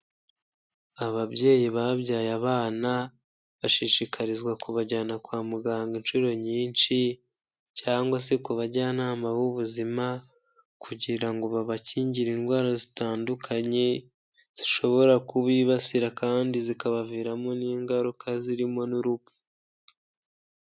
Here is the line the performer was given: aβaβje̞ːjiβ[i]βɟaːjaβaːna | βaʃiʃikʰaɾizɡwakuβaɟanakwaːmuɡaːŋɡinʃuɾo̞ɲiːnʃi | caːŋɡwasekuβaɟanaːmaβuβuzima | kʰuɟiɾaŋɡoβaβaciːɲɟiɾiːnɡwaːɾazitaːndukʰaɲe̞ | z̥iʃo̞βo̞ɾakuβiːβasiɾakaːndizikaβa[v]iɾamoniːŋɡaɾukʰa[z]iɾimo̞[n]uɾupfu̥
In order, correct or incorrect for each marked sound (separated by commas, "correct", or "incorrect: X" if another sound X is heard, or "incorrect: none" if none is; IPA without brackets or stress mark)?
incorrect: a, correct, correct, correct